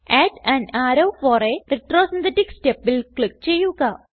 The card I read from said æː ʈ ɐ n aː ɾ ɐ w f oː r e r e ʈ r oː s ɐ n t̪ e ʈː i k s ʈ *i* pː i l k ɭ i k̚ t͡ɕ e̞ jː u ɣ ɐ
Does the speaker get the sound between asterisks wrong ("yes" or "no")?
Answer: yes